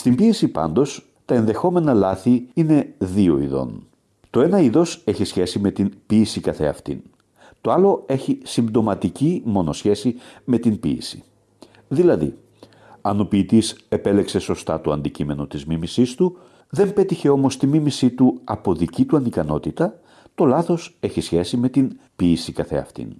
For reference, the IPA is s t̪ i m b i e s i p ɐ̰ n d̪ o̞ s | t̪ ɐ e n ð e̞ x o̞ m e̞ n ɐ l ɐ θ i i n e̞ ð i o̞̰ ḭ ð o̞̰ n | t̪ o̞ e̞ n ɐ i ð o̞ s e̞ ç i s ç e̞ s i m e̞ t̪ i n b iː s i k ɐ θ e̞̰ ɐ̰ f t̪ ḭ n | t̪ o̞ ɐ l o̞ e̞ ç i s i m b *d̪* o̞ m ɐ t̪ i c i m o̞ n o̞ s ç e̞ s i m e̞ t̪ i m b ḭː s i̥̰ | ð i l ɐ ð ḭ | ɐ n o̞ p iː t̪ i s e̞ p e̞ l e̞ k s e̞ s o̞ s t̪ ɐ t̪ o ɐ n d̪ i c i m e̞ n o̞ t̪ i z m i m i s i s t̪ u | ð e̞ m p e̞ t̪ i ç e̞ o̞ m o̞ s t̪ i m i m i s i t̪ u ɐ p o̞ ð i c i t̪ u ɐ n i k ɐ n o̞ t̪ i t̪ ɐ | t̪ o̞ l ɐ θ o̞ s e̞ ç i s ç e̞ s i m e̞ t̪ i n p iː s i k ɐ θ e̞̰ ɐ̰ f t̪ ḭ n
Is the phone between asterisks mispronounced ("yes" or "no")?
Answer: no